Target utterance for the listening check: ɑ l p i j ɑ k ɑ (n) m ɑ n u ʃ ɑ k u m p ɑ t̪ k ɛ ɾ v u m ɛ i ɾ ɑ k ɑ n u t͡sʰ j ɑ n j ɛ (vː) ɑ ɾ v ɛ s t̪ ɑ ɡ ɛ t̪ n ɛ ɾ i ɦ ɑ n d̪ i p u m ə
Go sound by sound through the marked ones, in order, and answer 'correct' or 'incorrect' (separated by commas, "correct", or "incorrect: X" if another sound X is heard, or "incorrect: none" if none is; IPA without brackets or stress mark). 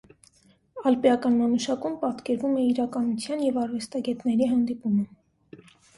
correct, incorrect: v